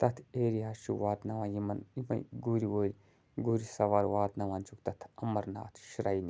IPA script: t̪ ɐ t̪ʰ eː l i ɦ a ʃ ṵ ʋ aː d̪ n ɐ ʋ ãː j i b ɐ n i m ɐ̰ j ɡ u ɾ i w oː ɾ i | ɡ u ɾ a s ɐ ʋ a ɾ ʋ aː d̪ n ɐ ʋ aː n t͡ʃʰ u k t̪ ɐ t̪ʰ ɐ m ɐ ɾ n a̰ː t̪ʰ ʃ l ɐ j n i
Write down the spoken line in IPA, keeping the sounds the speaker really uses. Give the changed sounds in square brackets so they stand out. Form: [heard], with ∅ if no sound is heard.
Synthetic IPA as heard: t̪ ɐ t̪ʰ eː [ɾ] i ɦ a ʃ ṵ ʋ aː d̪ n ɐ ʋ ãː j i [m] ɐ n i m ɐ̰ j ɡ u ɾ i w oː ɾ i | ɡ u ɾ [i] s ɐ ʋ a ɾ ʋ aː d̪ n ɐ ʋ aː n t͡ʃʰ u k t̪ ɐ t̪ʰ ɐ m ɐ ɾ n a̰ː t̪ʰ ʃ [ɾ] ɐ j n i

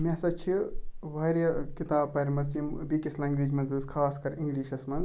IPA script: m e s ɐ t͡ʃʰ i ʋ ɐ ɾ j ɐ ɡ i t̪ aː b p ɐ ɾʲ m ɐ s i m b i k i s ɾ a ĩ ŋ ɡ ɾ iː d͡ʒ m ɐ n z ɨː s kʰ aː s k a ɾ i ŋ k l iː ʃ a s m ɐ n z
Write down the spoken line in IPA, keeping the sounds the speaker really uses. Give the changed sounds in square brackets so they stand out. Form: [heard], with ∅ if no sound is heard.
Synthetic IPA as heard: m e s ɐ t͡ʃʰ i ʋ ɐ ɾ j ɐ [k] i t̪ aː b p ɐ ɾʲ m ɐ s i m b i k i s [l] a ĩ ŋ ɡ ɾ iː d͡ʒ m ɐ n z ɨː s kʰ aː s k [ɐ] ɾ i ŋ [ɡ] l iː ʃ [ɐ] s m ɐ n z

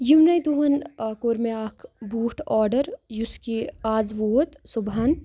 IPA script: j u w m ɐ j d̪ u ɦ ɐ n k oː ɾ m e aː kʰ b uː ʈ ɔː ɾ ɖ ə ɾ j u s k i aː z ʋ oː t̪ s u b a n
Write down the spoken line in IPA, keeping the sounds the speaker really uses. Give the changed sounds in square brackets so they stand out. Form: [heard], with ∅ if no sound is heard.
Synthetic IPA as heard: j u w [n] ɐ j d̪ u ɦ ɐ n k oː ɾ m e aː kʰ b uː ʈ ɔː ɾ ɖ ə ɾ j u s k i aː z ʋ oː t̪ s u b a n

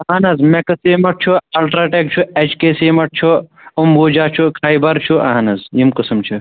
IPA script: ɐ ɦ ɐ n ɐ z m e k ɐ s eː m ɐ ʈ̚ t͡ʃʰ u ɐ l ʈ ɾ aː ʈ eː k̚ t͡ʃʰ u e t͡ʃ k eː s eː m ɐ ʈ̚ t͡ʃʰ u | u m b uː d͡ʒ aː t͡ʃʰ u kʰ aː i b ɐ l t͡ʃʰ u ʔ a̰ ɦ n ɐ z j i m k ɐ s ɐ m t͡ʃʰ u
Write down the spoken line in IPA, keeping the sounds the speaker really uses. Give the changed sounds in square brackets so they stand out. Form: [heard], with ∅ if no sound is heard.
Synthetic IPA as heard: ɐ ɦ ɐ n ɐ z m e k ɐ s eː m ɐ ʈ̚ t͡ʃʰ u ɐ l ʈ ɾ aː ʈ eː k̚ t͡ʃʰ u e t͡ʃ k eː s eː m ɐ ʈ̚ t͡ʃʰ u | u m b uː d͡ʒ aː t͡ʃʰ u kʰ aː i b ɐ [ɾ] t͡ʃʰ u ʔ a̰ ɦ n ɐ z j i m k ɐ s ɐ m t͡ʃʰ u

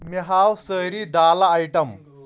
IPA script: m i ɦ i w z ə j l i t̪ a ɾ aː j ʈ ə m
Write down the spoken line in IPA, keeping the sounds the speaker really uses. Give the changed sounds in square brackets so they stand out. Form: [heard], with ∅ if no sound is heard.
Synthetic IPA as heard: m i ɦ [a] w [s] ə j [ɾ] i [d̪] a [l] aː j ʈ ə m

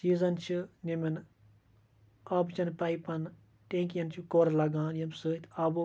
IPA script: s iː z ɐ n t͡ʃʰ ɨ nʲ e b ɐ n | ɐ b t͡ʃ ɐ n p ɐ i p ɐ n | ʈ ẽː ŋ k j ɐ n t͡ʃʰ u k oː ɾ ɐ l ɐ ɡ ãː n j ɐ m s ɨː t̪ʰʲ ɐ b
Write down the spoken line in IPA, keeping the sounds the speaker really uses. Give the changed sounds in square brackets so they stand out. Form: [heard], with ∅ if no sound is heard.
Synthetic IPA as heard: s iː z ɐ n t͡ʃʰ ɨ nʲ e [m] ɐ n | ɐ b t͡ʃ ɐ n p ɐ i p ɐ n | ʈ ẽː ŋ k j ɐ n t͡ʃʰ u k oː ɾ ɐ l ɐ ɡ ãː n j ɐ m s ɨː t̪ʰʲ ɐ b

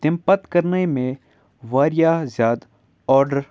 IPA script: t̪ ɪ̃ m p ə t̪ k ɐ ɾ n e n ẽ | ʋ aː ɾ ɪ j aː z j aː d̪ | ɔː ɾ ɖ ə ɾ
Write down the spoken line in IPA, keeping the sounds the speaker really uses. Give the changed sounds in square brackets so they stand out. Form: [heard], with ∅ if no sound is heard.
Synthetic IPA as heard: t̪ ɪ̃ m p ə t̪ k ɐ ɾ n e [m] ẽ | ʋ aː ɾ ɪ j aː z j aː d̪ | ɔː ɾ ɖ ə ɾ

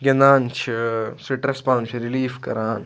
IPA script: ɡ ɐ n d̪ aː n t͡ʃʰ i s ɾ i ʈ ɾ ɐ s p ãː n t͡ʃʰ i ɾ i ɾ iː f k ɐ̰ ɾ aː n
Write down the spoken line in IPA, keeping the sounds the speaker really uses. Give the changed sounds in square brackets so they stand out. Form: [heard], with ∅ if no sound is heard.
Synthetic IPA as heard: ɡ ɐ n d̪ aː n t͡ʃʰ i s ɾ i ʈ ɾ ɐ s p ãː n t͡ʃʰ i ɾ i [l] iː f k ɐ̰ ɾ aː n

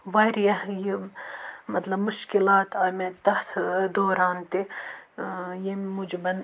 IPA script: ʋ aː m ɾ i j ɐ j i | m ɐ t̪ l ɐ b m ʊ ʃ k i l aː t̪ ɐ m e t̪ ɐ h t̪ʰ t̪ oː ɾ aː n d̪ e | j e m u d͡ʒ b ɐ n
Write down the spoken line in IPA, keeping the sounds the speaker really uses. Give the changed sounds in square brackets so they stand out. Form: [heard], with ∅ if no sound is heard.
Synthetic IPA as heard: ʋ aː [∅] ɾ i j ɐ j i | m ɐ t̪ l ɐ b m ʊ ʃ k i l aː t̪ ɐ m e t̪ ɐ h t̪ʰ [d̪] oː ɾ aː n [t̪] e | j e m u d͡ʒ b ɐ n

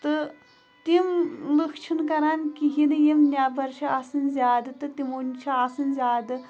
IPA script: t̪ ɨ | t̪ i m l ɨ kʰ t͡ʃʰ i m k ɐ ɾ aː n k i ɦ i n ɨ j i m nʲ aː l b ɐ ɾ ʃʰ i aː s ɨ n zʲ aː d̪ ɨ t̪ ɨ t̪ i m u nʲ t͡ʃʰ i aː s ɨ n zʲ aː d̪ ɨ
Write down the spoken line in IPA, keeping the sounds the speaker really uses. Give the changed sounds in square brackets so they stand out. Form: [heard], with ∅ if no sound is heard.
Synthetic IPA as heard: t̪ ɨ | t̪ i m l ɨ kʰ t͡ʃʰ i [n] k ɐ ɾ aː n k i ɦ i n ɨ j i m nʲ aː [∅] b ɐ ɾ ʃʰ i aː s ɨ n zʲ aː d̪ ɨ t̪ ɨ t̪ i m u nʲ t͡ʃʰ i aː s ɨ n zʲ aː d̪ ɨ

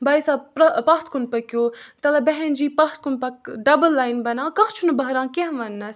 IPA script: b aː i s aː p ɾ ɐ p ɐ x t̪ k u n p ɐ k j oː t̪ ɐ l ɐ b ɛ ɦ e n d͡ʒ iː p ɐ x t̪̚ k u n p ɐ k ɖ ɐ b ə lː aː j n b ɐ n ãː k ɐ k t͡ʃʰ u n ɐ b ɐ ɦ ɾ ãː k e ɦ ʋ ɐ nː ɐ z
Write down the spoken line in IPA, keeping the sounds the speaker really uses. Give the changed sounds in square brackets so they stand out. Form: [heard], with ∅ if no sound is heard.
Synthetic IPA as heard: b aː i s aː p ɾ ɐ p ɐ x t̪ k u n p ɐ k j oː t̪ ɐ l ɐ b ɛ ɦ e n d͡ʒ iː p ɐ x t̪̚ k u n p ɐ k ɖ ɐ b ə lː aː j n b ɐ n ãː k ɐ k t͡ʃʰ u n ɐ b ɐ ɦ ɾ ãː k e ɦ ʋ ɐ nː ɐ [s]

